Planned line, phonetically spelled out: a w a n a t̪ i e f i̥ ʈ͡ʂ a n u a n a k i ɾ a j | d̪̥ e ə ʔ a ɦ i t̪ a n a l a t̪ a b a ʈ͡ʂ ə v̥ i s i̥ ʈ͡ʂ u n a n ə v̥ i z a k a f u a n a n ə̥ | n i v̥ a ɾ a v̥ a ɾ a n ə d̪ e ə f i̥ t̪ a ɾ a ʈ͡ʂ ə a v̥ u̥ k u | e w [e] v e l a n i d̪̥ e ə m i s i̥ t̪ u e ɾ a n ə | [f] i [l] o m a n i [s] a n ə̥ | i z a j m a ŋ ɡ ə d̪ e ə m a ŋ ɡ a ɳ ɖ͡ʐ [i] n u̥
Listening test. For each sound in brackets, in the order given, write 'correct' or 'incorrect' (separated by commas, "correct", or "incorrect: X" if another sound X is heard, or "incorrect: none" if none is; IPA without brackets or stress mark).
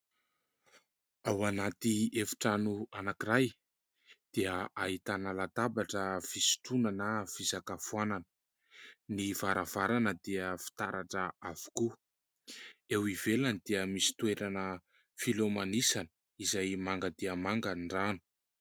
incorrect: i, correct, correct, correct, incorrect: a